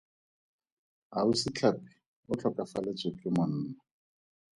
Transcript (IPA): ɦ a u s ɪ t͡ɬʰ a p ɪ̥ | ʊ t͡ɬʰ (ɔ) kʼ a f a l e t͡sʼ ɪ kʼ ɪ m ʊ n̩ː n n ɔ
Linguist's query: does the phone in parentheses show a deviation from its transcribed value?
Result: no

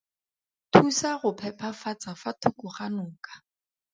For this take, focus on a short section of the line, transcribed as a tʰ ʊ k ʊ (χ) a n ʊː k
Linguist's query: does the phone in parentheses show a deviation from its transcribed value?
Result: no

